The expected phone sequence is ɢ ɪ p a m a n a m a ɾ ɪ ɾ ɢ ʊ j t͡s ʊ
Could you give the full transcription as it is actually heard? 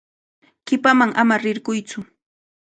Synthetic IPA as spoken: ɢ ɪ p a m a ŋ a m a ɾ ɪ ɾ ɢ ʊ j t͡s ʊ